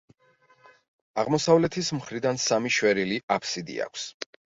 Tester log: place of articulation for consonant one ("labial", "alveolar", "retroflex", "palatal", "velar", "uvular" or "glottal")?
uvular